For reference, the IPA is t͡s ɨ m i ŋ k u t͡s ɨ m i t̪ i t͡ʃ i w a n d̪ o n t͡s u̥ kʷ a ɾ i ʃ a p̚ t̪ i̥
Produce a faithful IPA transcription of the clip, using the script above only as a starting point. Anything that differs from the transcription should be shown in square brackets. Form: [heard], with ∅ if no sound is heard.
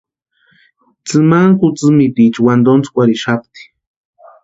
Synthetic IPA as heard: t͡s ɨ m [a] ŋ k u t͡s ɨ m i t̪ i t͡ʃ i w a n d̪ o n t͡s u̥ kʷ a ɾ i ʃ a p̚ t̪ i̥